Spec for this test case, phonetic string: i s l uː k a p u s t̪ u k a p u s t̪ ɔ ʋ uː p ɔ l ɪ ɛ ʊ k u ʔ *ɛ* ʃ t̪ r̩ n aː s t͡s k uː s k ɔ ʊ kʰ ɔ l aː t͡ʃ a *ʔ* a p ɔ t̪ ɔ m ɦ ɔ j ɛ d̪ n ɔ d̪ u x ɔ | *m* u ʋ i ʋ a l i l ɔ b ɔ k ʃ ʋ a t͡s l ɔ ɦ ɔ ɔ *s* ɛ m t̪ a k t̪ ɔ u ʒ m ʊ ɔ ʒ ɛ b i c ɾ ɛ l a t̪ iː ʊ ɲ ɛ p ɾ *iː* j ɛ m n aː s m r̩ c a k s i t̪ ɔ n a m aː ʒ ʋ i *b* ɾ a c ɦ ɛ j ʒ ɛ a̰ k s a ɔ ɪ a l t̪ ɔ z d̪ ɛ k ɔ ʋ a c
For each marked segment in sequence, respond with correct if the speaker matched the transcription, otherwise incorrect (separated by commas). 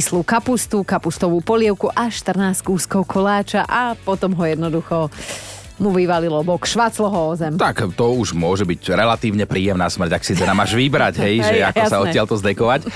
incorrect, correct, correct, incorrect, correct, correct